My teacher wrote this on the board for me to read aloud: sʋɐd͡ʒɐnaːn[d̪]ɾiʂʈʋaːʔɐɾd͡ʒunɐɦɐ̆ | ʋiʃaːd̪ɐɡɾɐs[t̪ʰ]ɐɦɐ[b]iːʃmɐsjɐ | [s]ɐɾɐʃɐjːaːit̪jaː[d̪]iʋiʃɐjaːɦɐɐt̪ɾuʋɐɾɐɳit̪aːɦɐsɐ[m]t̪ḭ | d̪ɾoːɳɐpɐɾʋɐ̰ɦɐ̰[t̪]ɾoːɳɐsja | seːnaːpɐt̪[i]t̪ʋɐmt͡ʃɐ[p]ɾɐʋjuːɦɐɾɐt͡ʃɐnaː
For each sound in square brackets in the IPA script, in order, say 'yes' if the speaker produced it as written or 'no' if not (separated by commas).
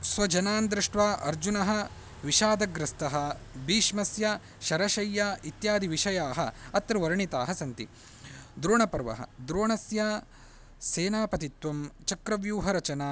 yes, no, yes, no, yes, no, no, yes, no